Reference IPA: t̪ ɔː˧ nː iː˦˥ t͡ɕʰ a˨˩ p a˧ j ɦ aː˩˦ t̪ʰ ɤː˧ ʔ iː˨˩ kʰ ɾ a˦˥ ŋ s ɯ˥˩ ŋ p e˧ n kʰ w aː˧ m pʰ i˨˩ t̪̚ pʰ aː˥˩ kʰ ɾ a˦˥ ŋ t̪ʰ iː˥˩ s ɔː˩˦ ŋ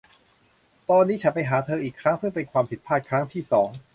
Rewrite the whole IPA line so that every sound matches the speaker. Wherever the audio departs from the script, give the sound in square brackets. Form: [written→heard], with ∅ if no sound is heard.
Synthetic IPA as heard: t̪ ɔː˧ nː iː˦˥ t͡ɕʰ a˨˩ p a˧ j ɦ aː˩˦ t̪ʰ ɤː˧ ʔ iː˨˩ kʰ ɾ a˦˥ ŋ s ɯ˥˩ ŋ p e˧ n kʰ w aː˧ m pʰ i˨˩ t̪̚ pʰ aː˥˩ kʰ ɾ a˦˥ ŋ t̪ʰ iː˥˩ s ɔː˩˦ ŋ